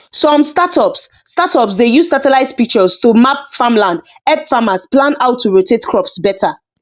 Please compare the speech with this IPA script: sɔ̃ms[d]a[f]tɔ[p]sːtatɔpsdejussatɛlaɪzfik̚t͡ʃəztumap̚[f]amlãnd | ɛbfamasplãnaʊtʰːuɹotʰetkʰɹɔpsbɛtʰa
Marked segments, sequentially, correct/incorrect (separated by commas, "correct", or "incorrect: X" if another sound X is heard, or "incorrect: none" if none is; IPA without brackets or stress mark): incorrect: t, incorrect: none, correct, correct